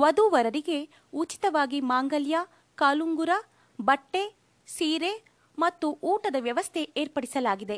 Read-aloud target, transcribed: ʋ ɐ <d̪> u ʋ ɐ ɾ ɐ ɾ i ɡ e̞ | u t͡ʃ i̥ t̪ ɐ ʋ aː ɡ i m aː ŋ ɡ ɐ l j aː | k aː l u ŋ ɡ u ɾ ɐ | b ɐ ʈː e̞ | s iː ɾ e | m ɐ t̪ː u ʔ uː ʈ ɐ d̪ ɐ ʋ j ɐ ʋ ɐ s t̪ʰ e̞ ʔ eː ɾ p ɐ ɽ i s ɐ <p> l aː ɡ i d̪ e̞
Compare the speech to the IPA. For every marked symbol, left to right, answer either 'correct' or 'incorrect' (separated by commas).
correct, incorrect